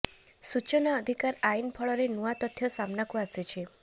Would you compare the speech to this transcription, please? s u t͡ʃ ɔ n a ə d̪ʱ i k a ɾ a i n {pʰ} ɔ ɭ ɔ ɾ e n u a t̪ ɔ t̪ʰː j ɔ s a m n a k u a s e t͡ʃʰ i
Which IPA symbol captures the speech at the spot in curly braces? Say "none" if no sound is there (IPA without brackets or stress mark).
pʰ